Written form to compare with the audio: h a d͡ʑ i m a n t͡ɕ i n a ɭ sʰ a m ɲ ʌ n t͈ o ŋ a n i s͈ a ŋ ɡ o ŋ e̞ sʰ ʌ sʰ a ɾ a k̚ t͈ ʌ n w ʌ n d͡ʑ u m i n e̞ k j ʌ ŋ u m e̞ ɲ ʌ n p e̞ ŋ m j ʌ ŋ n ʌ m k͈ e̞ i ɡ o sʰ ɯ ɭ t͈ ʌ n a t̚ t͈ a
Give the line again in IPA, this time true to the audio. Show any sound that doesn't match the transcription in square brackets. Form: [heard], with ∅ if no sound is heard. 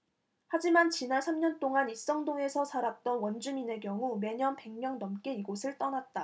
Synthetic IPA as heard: h a d͡ʑ i m a n t͡ɕ i n a ɭ sʰ a m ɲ ʌ n t͈ o ŋ a n i s͈ [ʌ] ŋ [d] o ŋ e̞ sʰ ʌ sʰ a ɾ a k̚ t͈ ʌ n w ʌ n d͡ʑ u m i n e̞ k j ʌ ŋ u m e̞ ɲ ʌ n p e̞ ŋ m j ʌ ŋ n ʌ m k͈ e̞ i ɡ o sʰ ɯ ɭ t͈ ʌ n a t̚ t͈ a